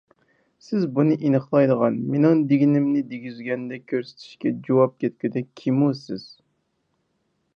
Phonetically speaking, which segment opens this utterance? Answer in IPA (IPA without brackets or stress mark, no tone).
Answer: s